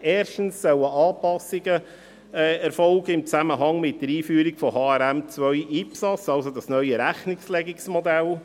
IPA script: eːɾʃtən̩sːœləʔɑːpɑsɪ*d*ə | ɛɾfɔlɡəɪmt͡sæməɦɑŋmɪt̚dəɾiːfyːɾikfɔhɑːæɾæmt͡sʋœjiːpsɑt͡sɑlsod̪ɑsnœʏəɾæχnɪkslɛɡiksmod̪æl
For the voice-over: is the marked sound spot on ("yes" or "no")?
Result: no